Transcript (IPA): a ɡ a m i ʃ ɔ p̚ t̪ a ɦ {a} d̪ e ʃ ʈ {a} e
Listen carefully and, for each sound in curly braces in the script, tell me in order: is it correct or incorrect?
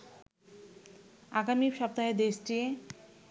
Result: incorrect, incorrect

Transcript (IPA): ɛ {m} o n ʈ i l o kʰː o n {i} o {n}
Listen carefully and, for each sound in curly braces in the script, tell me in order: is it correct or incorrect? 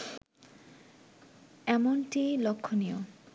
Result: correct, correct, incorrect

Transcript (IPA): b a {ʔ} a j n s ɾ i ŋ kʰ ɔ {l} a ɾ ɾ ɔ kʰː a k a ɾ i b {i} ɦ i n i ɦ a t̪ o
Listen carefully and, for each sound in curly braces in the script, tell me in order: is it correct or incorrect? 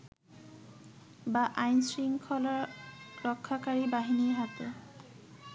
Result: correct, correct, incorrect

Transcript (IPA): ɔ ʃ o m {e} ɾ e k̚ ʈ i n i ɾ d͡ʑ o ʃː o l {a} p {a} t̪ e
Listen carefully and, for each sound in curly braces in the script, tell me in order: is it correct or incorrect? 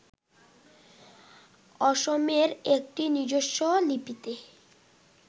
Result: correct, incorrect, incorrect

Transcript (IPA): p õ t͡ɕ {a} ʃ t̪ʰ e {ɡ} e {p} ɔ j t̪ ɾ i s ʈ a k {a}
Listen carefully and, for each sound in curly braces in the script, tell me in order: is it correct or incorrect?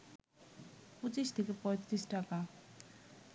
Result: incorrect, incorrect, correct, correct

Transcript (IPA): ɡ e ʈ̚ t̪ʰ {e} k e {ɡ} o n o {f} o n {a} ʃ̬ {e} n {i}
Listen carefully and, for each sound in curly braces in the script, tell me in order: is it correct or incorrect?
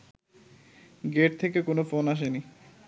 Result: correct, incorrect, correct, correct, correct, correct

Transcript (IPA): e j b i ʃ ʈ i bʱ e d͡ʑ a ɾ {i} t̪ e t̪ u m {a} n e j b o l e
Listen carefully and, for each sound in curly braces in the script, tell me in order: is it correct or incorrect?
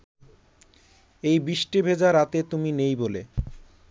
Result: incorrect, incorrect

